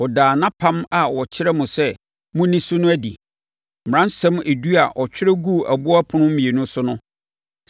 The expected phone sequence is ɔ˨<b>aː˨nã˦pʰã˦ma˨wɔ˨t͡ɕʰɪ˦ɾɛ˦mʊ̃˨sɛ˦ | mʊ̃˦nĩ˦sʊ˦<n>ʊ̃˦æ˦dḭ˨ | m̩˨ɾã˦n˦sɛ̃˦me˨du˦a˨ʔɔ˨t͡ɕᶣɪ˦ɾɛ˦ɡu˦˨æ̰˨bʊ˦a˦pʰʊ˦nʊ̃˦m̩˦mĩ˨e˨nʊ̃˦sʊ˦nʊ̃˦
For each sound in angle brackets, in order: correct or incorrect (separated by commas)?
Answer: incorrect, correct